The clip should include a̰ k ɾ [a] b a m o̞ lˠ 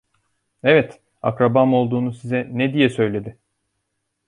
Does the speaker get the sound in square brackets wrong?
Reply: no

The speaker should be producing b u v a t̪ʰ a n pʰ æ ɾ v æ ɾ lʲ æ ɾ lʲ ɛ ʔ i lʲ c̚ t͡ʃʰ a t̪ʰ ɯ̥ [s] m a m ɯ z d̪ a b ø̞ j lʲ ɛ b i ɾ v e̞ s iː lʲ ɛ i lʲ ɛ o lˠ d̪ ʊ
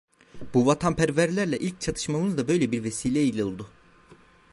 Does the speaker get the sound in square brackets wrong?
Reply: yes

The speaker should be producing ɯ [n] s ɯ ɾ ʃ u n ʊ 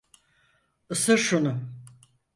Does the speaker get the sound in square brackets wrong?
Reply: yes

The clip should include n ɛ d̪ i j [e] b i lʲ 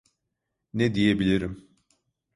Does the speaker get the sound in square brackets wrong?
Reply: no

